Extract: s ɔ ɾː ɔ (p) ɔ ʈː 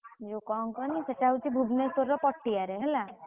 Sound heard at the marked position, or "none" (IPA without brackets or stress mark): p